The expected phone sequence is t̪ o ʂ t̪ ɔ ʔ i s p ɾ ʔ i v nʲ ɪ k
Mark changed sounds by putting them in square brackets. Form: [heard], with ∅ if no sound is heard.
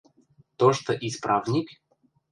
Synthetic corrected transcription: t̪ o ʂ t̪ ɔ ʔ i s p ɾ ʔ [a] v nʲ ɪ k